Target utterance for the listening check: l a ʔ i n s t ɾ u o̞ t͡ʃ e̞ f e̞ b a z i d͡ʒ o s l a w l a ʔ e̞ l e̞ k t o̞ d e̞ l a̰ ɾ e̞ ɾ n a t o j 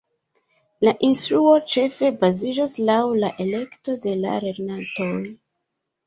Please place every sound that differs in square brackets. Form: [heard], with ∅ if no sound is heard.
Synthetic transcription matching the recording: l a ʔ i n s t ɾ u o̞ t͡ʃ e̞ f e̞ b a z i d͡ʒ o s l a w l a ʔ e̞ l e̞ k t o̞ d e̞ l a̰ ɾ e̞ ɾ n a t o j